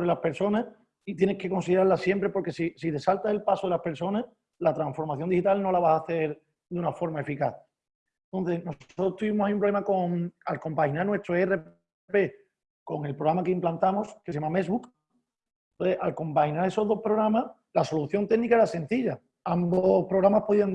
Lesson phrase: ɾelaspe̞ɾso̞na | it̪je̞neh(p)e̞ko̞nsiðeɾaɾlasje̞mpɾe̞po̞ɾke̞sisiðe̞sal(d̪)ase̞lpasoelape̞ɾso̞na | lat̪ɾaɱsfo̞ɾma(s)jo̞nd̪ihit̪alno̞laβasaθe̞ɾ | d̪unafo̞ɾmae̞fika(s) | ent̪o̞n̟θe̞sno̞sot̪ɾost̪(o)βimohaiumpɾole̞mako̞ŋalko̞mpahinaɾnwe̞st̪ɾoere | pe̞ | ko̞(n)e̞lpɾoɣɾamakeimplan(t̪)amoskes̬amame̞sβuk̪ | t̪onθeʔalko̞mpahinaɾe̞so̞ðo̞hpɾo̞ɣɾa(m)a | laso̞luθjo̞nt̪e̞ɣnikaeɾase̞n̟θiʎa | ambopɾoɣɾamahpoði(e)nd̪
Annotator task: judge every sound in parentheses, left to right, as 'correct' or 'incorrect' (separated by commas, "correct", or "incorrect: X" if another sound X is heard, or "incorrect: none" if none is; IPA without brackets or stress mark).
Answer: incorrect: k, incorrect: t̪, incorrect: θ, incorrect: θ, incorrect: u, incorrect: ŋ, correct, correct, incorrect: a